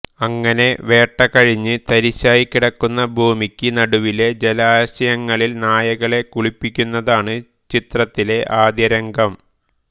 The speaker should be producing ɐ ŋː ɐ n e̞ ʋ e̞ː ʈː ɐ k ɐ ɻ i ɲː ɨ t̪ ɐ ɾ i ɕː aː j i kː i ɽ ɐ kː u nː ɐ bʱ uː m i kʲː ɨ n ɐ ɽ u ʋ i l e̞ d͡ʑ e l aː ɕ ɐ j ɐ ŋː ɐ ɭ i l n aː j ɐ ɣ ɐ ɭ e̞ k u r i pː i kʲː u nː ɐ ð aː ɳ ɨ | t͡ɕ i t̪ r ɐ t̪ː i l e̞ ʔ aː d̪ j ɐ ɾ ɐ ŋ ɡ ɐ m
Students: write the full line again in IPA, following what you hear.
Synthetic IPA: ɐ ŋː ɐ n e̞ ʋ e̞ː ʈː ɐ k ɐ ɻ i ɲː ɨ t̪ ɐ ɾ i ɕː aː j i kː i ɽ ɐ kː u nː ɐ bʱ uː m i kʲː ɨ n ɐ ɽ u ʋ i l e̞ d͡ʑ e l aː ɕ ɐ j ɐ ŋː ɐ ɭ i l n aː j ɐ ɣ ɐ ɭ e̞ k u ɭ i pː i kʲː u nː ɐ ð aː ɳ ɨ | t͡ɕ i t̪ r ɐ t̪ː i l e̞ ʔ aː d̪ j ɐ ɾ ɐ ŋ ɡ ɐ m